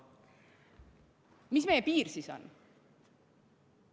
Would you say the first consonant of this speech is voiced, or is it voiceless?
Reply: voiced